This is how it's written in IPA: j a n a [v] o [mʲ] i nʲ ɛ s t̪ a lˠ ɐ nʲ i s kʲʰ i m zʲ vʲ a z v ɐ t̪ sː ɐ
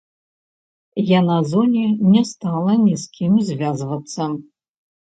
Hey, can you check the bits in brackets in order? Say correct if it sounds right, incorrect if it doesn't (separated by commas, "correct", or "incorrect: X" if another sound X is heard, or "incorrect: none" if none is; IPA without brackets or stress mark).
incorrect: z, incorrect: nʲ